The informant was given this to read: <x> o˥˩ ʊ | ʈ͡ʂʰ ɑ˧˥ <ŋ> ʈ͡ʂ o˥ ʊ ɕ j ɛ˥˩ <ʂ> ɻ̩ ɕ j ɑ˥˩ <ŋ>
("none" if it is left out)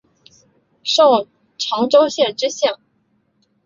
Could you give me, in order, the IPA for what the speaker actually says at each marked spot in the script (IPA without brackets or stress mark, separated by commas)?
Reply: ʂ, ŋ, ʈ͡ʂ, ŋ